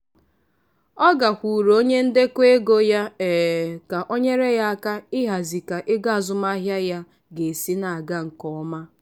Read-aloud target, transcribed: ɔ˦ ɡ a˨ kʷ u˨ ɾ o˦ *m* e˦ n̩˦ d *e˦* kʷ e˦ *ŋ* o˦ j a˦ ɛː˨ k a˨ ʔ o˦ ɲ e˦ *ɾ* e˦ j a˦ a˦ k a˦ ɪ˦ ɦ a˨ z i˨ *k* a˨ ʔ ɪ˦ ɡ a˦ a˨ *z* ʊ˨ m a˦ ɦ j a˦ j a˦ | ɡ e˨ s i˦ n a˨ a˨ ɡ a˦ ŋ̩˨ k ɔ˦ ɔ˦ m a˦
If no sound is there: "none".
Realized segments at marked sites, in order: ɲ, e˦, ɡ, ɾ, k, z

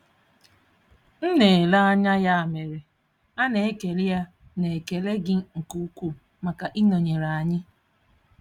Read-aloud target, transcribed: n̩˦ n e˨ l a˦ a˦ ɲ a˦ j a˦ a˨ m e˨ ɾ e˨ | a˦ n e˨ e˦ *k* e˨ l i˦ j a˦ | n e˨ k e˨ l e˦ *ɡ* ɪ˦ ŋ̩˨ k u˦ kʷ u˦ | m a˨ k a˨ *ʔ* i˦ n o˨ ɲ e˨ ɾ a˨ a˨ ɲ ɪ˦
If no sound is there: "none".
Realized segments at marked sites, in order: k, ɡ, ʔ

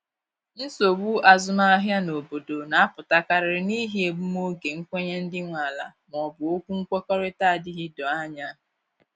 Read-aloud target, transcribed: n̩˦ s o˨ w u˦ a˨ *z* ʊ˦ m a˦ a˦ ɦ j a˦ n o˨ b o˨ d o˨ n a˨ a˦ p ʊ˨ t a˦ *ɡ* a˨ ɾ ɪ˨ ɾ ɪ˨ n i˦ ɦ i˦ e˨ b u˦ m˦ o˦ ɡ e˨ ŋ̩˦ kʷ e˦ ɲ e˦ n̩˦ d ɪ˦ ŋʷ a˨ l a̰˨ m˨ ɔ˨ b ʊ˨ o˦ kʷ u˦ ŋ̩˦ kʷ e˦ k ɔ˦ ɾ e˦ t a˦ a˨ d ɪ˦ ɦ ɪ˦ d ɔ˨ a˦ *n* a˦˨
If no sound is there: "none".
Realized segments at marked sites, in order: z, k, ɲ

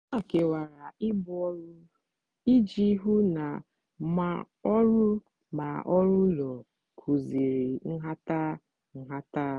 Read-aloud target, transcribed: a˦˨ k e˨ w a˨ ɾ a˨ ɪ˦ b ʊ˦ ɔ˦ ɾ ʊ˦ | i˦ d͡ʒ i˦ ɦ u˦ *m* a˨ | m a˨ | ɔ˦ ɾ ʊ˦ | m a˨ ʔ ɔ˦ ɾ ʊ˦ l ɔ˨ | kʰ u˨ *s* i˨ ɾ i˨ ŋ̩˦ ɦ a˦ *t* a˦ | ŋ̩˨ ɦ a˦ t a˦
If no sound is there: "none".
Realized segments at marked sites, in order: n, z, t

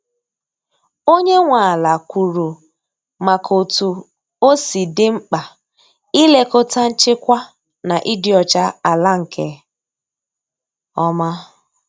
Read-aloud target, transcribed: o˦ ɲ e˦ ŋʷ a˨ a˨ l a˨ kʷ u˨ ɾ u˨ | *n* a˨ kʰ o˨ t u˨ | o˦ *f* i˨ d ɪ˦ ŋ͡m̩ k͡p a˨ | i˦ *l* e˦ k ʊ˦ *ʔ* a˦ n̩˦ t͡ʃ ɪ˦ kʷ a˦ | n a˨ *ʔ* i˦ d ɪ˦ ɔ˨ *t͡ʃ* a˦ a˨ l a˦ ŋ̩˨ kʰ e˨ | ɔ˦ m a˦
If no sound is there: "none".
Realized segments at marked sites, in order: m, s, l, t, ʔ, t͡ʃ

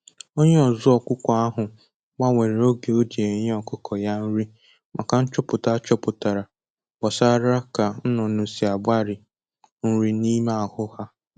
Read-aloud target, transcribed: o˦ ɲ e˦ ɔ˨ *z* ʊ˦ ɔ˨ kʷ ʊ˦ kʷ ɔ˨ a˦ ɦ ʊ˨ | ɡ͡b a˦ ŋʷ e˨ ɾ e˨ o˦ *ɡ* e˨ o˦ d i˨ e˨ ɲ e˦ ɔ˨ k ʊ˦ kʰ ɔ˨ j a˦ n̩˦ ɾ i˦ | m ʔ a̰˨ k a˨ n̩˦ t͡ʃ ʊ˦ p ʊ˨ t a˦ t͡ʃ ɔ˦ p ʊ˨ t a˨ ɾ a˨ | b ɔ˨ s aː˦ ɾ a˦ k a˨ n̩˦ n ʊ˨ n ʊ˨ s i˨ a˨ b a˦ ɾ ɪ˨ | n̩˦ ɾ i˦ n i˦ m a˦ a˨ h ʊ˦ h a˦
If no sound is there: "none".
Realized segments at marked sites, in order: z, ɡ

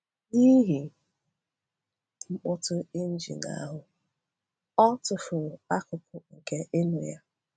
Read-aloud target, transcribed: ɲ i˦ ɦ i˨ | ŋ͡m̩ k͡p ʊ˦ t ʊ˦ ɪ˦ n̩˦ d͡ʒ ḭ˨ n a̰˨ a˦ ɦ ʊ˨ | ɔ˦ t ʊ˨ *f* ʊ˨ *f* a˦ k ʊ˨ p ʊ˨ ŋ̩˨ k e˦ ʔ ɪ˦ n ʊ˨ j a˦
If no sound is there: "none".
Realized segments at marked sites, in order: f, none

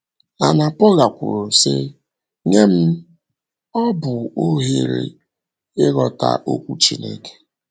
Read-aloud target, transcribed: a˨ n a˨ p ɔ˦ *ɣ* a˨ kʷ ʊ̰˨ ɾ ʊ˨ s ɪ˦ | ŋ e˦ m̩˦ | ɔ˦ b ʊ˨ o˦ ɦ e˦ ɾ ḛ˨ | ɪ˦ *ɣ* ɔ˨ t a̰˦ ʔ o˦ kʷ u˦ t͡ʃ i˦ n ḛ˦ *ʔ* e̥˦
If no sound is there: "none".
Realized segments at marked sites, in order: ɣ, ɣ, k

